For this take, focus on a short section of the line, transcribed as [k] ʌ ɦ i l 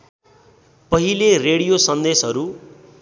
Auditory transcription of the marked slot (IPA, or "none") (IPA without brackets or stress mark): p